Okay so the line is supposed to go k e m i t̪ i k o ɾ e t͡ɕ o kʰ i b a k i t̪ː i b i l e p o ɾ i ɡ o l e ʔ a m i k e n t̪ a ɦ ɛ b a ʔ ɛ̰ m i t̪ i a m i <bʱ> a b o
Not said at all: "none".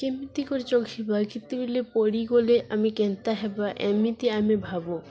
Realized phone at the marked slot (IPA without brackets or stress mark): bʱ